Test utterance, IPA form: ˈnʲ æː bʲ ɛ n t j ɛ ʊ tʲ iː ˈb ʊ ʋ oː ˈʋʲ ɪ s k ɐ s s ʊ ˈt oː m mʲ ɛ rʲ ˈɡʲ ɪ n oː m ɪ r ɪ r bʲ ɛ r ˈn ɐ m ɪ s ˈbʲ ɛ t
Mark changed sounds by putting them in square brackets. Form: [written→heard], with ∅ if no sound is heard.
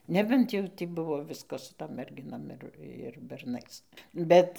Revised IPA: ˈnʲ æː bʲ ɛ n t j ɛ ʊ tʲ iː ˈb ʊ ʋ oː ˈʋʲ ɪ s k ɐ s s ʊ ˈt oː m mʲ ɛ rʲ ˈɡʲ ɪ n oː m ɪ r ɪ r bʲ ɛ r ˈn ɐ [m→∅] ɪ s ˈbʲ ɛ t